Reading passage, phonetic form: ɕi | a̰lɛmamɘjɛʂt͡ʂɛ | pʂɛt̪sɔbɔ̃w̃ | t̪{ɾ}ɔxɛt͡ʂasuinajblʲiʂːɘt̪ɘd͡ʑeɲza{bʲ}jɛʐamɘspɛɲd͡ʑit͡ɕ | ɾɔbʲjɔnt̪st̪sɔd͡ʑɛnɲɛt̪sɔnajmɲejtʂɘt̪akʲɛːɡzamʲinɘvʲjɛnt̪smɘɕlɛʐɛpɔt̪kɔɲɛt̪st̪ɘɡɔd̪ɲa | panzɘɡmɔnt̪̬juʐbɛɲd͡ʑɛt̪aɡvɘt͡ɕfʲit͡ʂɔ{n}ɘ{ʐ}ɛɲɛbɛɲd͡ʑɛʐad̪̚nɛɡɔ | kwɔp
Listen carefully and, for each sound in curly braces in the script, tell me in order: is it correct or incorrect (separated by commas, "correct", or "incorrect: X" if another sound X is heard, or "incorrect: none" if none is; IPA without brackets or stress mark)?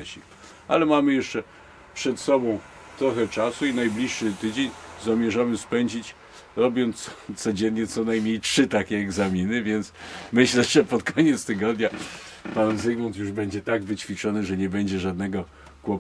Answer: correct, incorrect: mʲ, correct, correct